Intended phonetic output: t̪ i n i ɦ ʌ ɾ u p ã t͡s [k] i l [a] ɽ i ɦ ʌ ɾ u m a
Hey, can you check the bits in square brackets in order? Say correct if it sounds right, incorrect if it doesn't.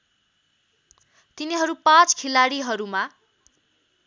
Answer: incorrect: kʰ, correct

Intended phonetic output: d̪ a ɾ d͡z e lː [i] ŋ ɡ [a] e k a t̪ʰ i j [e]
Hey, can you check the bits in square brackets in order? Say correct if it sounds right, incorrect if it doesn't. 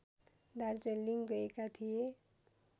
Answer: correct, incorrect: ʌ, correct

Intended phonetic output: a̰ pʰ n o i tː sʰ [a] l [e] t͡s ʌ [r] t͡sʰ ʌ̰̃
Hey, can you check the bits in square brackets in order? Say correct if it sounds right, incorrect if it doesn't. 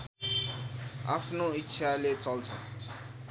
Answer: correct, correct, incorrect: l

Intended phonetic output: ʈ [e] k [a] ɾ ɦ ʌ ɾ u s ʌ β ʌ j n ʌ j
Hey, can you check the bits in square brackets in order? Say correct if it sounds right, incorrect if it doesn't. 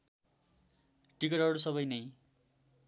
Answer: incorrect: i, incorrect: ʌ

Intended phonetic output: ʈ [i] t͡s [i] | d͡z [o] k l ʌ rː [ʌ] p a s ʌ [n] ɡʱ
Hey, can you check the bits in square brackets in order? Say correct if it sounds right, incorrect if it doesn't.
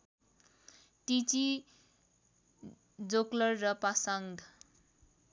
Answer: correct, correct, correct, correct, incorrect: ŋ

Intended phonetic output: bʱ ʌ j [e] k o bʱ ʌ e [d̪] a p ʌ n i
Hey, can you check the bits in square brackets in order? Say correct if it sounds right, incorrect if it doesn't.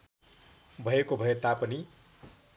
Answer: correct, incorrect: t̪

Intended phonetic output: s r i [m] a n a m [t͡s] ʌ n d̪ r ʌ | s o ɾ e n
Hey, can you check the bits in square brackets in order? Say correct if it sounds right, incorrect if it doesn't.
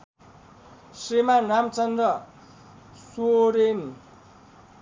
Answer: correct, correct

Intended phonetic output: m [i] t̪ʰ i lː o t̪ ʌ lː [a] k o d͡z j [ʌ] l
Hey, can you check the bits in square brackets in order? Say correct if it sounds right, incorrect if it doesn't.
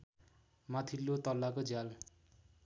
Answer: incorrect: a, correct, incorrect: a

